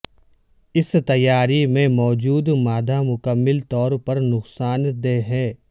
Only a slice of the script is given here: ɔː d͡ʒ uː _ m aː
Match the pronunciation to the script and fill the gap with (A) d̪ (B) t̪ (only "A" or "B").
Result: A